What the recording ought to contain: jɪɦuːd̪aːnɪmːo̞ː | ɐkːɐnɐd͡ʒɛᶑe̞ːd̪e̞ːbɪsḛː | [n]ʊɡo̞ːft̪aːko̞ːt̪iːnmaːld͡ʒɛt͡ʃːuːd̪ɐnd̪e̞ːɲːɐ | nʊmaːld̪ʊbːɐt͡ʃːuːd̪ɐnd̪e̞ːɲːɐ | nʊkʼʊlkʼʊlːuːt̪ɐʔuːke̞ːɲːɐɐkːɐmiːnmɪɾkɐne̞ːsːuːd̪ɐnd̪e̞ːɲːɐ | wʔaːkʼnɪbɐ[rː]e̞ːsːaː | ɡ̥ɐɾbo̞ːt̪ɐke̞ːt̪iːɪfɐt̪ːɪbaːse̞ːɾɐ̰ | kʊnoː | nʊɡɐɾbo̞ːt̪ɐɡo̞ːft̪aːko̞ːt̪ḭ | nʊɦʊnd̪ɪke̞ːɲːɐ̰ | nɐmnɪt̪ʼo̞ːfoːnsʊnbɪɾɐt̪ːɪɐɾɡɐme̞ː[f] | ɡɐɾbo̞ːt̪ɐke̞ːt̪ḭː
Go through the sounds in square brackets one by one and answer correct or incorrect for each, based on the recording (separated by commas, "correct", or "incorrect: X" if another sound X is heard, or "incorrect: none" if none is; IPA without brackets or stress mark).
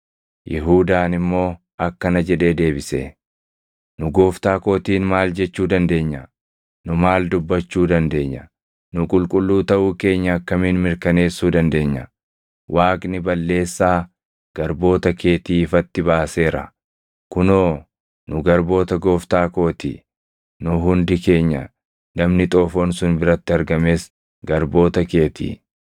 correct, incorrect: lː, incorrect: s